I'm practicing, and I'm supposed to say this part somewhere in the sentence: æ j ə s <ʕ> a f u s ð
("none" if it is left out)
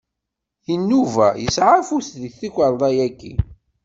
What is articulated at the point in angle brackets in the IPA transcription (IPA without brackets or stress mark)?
ʕ